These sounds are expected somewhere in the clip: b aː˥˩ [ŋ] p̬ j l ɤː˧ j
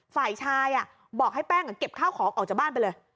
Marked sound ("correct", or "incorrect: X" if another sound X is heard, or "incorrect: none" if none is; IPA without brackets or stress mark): incorrect: n